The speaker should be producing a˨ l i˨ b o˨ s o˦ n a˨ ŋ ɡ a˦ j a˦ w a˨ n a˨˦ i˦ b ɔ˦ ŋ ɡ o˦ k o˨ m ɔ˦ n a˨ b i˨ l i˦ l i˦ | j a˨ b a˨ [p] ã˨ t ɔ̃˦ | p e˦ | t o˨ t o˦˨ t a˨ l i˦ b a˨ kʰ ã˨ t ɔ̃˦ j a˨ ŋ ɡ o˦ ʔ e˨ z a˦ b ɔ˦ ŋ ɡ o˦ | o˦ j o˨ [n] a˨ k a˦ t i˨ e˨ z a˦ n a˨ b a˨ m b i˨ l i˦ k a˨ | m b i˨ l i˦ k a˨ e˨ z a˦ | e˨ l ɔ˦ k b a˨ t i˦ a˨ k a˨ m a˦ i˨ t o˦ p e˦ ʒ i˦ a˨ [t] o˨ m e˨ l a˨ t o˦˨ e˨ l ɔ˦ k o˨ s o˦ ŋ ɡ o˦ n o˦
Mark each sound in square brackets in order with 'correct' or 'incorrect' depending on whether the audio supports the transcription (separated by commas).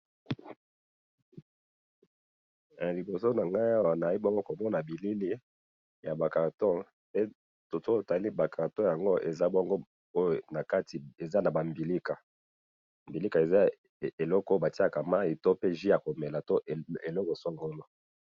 incorrect, correct, incorrect